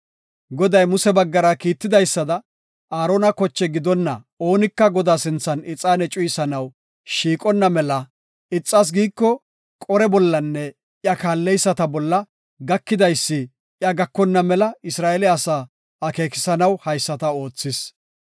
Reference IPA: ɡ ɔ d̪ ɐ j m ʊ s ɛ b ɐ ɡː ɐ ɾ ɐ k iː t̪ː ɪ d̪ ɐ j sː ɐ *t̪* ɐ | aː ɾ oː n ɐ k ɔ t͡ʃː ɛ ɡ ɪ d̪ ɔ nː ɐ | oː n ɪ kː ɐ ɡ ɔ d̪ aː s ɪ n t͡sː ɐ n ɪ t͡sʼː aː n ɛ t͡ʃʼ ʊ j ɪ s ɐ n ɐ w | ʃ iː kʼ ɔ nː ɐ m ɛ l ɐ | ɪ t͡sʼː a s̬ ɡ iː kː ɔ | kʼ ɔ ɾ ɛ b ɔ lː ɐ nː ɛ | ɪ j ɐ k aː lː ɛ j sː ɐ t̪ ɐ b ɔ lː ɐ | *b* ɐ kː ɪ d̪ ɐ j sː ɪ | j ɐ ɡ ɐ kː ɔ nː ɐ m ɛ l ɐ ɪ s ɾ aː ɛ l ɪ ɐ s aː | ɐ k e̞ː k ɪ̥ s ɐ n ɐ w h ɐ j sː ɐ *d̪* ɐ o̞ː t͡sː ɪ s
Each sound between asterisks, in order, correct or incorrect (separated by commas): incorrect, incorrect, incorrect